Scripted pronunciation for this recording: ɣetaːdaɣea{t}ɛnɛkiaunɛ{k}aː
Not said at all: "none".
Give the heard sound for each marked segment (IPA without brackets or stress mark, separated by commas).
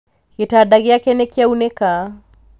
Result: k, k